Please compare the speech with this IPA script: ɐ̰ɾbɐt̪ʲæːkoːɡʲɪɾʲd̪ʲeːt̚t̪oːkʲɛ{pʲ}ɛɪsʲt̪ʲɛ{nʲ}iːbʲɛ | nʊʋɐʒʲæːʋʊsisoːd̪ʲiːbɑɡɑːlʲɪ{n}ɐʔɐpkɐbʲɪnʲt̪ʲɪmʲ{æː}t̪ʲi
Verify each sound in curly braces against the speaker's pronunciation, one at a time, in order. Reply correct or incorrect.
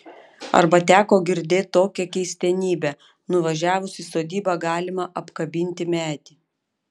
incorrect, correct, incorrect, correct

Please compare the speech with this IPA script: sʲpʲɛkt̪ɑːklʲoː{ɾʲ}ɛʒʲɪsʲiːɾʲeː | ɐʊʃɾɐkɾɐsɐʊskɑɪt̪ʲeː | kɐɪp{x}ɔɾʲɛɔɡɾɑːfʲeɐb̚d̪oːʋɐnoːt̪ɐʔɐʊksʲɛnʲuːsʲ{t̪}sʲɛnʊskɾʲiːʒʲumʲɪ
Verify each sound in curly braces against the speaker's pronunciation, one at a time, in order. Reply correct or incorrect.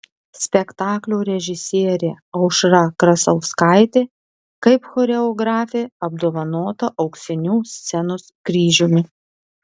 correct, correct, correct

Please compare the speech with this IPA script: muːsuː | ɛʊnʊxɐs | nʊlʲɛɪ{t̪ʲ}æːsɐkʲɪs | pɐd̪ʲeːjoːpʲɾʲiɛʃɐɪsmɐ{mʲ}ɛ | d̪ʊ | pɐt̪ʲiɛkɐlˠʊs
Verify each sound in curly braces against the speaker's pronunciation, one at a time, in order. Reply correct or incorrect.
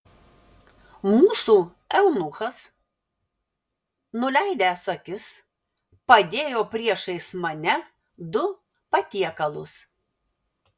incorrect, incorrect

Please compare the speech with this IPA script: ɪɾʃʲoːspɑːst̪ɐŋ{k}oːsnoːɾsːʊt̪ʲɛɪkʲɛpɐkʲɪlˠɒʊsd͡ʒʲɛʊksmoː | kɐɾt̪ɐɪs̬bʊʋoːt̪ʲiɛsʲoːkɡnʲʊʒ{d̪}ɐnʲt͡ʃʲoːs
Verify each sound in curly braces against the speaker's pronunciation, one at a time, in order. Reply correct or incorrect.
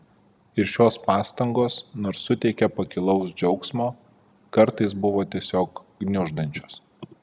incorrect, correct

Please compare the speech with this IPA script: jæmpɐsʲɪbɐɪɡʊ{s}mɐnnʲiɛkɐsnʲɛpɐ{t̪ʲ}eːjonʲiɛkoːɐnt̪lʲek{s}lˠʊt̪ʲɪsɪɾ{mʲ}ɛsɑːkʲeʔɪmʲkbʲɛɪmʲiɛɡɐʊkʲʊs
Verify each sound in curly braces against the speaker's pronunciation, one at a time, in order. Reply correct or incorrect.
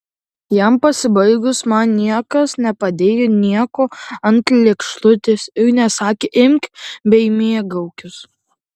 correct, incorrect, incorrect, incorrect

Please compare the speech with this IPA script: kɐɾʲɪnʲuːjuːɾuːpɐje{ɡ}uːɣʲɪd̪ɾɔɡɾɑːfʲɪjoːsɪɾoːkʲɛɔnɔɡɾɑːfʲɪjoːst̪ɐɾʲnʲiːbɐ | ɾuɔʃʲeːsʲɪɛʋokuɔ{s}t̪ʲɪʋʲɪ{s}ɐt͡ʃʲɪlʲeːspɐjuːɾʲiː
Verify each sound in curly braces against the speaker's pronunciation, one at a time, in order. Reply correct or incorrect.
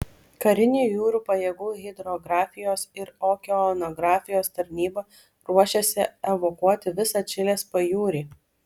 correct, incorrect, correct

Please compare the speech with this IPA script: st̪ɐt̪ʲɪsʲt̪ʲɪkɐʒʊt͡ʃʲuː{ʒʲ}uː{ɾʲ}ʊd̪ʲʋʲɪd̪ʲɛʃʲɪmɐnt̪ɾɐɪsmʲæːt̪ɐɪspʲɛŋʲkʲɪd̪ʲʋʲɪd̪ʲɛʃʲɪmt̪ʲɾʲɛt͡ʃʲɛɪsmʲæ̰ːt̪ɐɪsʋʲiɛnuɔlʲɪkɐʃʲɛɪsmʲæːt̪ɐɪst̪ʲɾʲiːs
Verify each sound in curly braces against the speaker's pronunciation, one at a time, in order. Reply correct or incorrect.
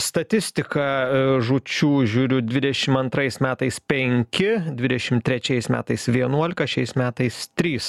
correct, correct

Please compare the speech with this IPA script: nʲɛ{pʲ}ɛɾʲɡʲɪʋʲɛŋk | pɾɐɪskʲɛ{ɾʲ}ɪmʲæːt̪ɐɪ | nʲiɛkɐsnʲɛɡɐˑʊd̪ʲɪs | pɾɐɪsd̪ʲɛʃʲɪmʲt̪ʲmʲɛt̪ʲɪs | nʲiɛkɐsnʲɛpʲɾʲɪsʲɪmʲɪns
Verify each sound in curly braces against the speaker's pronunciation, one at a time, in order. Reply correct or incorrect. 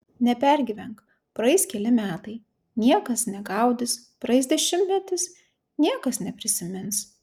correct, incorrect

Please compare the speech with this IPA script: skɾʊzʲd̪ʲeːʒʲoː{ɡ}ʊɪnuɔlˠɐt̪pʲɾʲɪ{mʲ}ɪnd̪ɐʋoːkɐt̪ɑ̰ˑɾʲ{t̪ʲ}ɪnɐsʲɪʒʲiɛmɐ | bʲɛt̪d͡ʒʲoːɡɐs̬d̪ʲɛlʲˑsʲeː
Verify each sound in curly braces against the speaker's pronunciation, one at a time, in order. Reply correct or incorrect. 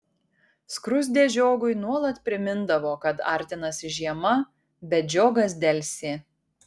correct, correct, correct

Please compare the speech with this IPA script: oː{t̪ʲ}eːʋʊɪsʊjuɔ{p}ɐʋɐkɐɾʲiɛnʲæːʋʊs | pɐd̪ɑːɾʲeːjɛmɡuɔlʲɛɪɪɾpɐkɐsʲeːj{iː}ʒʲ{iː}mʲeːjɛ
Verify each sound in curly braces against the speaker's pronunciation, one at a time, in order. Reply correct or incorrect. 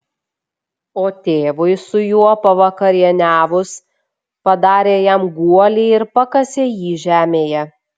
correct, correct, correct, incorrect

